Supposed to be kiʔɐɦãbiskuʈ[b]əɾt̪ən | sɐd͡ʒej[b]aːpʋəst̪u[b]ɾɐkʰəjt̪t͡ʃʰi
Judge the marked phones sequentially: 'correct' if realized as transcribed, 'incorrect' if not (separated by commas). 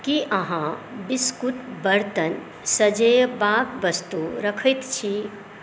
correct, correct, incorrect